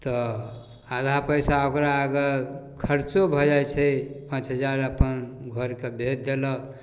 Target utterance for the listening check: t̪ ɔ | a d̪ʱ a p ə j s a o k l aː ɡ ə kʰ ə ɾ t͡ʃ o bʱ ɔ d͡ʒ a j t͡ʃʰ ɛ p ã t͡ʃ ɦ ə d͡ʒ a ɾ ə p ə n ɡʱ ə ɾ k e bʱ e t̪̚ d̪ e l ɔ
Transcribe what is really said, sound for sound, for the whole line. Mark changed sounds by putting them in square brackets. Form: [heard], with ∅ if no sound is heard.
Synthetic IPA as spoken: t̪ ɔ | a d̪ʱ a p ə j s a o k [ɾ] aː ɡ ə kʰ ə ɾ t͡ʃ o bʱ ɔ d͡ʒ a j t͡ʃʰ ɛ p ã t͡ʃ ɦ ə d͡ʒ a ɾ ə p ə n ɡʱ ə ɾ k e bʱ e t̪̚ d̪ e l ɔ

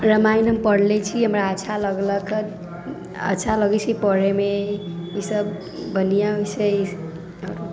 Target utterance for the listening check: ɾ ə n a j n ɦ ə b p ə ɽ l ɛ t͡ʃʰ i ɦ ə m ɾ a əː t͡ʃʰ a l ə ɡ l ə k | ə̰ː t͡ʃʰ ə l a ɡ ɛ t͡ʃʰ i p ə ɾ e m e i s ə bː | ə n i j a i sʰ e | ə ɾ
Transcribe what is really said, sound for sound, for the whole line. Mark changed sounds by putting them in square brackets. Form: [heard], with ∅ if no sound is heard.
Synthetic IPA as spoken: ɾ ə [m] a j n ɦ ə [m] p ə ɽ l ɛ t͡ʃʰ i ɦ ə m ɾ a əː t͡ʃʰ a l ə ɡ l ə k | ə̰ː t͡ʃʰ [a] l [ə] ɡ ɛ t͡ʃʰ i p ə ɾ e m e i s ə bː | ə n i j a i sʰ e | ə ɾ

